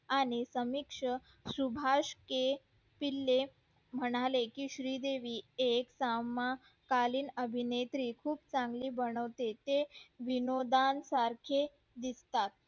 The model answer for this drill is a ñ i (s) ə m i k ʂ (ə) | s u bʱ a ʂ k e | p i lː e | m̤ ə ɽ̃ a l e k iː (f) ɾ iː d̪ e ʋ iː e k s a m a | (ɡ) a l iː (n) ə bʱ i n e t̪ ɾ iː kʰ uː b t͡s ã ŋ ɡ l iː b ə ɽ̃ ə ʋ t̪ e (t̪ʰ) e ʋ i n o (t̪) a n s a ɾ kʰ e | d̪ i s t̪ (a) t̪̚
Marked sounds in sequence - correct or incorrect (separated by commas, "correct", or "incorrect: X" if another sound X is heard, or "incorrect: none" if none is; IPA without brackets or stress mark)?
correct, correct, incorrect: ɕ, incorrect: k, correct, incorrect: t̪, incorrect: d̪, correct